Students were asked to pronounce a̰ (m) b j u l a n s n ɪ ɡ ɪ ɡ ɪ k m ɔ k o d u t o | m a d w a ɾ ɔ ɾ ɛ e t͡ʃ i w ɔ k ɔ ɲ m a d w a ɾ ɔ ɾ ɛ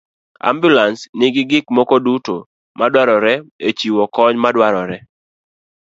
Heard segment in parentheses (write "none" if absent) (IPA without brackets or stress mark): m